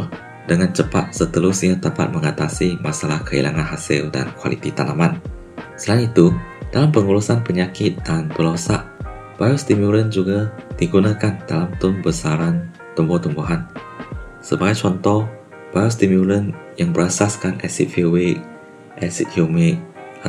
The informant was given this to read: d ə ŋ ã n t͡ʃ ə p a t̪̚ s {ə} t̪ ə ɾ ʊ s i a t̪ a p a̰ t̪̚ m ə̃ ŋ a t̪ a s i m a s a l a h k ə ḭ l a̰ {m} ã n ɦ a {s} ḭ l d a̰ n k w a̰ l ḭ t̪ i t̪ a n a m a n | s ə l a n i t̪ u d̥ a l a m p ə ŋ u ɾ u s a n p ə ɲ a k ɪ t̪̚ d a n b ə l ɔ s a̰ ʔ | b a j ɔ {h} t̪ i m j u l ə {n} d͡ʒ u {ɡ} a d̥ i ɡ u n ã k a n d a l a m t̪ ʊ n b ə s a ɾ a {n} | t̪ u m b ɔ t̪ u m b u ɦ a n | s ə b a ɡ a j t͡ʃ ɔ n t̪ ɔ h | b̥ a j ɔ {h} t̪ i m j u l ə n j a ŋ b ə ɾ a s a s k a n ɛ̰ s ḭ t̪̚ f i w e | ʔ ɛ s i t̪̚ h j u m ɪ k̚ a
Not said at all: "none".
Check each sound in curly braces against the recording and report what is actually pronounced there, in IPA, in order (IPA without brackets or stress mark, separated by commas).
ə, ŋ, s, s, n, ɡ, n, s